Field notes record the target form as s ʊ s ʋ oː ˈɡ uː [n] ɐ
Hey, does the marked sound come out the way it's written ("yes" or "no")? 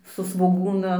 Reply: yes